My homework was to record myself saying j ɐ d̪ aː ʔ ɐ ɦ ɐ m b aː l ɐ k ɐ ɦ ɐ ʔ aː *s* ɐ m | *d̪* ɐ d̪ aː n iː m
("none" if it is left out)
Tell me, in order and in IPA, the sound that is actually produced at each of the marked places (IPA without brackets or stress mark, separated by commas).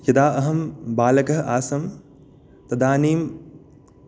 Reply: s, t̪